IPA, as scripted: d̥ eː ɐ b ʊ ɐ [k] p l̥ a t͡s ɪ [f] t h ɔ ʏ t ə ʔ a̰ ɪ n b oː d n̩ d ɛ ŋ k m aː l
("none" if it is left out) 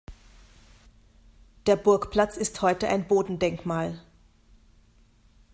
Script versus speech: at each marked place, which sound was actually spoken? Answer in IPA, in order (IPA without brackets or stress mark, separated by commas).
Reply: k, s